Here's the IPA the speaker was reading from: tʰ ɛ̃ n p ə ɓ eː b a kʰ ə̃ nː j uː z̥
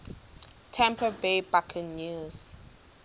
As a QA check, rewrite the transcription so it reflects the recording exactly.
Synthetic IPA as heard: tʰ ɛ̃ m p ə b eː b a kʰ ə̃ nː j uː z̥